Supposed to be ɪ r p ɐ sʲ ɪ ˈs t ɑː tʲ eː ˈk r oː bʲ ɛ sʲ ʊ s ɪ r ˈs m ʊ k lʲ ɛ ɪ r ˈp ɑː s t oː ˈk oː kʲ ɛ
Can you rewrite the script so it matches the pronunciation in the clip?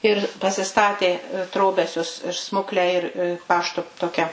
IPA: ɪ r p ɐ sʲ ɪ ˈs t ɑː tʲ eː ˈt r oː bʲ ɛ sʲ ʊ s ɪ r ˈs m ʊ k lʲ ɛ ɪ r ˈp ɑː ʃ t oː ˈt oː kʲ ɛ